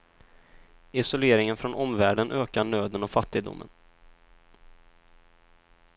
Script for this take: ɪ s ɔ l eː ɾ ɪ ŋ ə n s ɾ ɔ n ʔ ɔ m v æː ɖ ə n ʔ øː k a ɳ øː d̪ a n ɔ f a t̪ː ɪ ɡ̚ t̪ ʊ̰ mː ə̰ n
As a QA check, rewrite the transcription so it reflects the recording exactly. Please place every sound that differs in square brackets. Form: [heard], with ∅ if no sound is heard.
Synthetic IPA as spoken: ɪ s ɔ l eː ɾ ɪ ŋ ə n [f] ɾ ɔ n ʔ ɔ m v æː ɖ ə n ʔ øː k a ɳ øː d̪ [ə] n ɔ f a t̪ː ɪ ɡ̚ [d̪] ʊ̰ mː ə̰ n

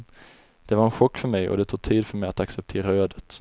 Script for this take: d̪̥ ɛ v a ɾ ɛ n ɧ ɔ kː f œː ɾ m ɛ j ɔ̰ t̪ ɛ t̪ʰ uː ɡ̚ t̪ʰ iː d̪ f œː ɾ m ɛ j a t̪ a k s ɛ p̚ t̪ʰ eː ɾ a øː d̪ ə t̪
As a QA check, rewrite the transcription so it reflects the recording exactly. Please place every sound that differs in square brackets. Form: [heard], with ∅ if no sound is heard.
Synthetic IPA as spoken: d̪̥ ɛ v a ɾ ɛ n ɧ ɔ kː f [œ] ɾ m ɛ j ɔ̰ [d̪] ɛ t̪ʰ uː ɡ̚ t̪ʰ iː d̪ f [œ] ɾ m ɛ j a t̪ a k s ɛ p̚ t̪ʰ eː ɾ a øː d̪ ə t̪

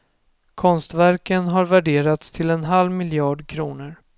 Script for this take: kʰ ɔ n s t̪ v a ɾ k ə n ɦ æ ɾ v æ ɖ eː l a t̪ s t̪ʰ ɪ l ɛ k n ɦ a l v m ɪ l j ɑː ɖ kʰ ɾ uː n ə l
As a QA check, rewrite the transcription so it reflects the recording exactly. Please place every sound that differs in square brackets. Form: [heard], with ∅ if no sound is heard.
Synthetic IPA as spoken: kʰ ɔ n s t̪ v [æ] ɾ k ə n ɦ [a] ɾ v æ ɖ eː [ɾ] a t̪ s t̪ʰ ɪ l ɛ [∅] n ɦ a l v m ɪ l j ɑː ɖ kʰ ɾ uː n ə [ɾ]

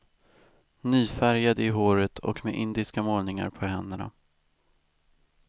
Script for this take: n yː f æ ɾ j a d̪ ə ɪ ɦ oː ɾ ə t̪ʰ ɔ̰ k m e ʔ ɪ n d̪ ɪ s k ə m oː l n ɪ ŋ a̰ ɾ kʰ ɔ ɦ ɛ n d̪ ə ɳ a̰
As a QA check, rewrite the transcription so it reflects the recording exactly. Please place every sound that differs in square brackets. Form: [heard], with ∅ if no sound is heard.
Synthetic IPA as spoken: n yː f æ ɾ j a d̪ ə ɪ ɦ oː ɾ ə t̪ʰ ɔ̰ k m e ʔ ɪ n d̪ ɪ s k [a] m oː l n ɪ ŋ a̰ ɾ [pʰ] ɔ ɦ ɛ n d̪ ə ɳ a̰

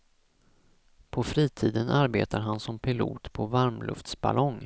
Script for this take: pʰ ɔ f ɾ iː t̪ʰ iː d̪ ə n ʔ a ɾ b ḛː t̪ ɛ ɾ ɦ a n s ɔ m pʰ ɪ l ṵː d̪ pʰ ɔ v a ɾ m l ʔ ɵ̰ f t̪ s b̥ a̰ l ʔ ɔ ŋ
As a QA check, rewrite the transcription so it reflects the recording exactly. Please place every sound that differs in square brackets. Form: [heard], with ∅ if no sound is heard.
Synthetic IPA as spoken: pʰ ɔ f ɾ iː t̪ʰ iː d̪ ə n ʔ a ɾ b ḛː t̪ [a] ɾ ɦ a n s ɔ m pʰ ɪ l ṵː [t̪] pʰ ɔ v a ɾ m l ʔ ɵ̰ f t̪ s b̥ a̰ l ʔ ɔ ŋ

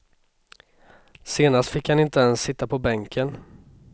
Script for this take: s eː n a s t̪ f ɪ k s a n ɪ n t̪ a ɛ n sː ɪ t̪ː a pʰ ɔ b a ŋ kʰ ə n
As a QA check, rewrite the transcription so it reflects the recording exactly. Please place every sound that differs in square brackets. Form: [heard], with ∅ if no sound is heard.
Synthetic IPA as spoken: s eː n a s t̪ f ɪ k [h] a n ɪ n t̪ [ə] ɛ n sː ɪ t̪ː a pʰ ɔ b [ɛ] ŋ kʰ ə n

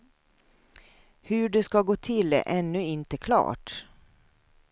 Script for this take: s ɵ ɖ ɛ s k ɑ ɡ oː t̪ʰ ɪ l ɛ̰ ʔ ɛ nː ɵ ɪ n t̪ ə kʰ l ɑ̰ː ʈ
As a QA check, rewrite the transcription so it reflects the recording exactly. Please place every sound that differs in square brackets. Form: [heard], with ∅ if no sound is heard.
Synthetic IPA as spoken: [h] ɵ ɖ ɛ s k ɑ ɡ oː t̪ʰ ɪ l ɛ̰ ʔ ɛ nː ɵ ɪ n t̪ ə kʰ l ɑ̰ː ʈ

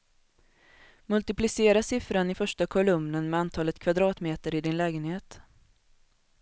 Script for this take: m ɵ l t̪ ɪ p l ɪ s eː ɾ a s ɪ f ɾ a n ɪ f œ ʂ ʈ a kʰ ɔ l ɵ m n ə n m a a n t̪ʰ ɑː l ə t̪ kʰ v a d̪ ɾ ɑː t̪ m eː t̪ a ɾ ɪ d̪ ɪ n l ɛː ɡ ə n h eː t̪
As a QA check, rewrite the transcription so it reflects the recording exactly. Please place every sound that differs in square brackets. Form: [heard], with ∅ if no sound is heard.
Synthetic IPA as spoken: m ɵ l t̪ ɪ p l ɪ s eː ɾ a s ɪ f ɾ a n ɪ f œ ʂ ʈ a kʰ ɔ l ɵ m n ə n m [ɛ] a n t̪ʰ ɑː l ə t̪ kʰ v a d̪ ɾ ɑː t̪ m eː t̪ [ə] ɾ ɪ d̪ ɪ n l ɛː ɡ ə n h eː t̪

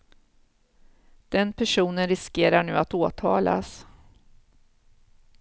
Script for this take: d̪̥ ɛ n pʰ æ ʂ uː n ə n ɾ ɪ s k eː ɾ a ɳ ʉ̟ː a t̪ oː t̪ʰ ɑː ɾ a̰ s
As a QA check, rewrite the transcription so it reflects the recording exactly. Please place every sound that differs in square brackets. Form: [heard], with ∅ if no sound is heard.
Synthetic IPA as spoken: d̪̥ ɛ n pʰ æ ʂ uː n ə n ɾ ɪ s k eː ɾ a ɳ ʉ̟ː a t̪ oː t̪ʰ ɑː [l] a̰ s

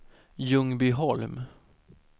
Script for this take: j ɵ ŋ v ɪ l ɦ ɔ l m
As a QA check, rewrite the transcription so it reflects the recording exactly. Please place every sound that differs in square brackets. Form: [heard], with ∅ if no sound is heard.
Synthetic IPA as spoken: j ɵ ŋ [b] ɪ [∅] ɦ ɔ l m

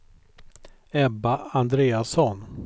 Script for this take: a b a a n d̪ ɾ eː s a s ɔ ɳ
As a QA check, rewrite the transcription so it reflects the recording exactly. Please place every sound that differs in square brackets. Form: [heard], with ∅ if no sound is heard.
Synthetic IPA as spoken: [ɛ] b a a n d̪ ɾ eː [∅] a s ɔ [n]

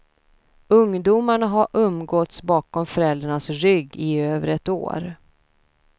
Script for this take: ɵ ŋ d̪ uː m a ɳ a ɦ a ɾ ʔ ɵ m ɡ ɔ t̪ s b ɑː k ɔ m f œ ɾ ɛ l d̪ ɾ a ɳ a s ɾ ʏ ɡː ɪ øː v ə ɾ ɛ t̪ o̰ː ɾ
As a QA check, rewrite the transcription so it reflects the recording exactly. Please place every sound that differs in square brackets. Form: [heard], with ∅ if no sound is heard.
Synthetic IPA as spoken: ɵ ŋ d̪ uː m a ɳ a ɦ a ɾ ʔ ɵ m ɡ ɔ t̪ s b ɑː k ɔ m f œ ɾ ɛ l d̪ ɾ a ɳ a s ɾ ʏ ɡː ɪ øː v ə ɾ ɛ t̪ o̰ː ɾ

